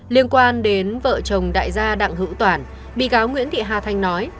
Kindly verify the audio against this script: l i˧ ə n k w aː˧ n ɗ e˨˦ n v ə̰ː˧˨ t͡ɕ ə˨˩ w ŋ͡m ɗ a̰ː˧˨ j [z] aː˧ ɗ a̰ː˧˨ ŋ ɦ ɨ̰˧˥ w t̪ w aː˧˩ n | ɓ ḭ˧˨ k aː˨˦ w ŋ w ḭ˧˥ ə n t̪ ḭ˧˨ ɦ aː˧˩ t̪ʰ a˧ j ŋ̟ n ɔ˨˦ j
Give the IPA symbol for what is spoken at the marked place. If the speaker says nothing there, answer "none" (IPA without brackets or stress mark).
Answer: z